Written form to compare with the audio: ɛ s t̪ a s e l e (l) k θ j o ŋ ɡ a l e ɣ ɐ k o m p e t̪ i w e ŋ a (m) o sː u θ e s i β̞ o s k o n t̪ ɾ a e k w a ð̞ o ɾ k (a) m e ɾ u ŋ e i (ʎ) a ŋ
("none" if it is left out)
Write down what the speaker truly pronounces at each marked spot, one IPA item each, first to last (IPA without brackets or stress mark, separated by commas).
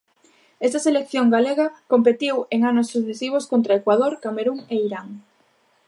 none, n, a, ɾ